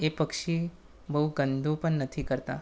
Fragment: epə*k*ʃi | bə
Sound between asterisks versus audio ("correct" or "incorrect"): correct